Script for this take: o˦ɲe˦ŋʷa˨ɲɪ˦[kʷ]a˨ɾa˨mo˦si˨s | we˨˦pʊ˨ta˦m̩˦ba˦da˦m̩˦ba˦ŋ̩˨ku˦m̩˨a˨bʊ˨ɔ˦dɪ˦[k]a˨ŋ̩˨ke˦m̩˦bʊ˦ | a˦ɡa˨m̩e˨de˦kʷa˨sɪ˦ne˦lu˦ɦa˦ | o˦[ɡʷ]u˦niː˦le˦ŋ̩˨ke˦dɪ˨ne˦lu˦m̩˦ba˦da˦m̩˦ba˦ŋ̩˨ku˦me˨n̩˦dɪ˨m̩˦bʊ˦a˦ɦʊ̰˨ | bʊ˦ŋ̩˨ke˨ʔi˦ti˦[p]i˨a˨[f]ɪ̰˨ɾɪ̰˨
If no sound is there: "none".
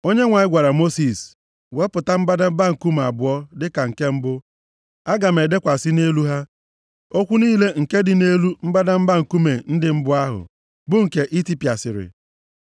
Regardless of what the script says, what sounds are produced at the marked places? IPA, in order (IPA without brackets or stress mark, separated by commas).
ɡʷ, k, kʷ, p, s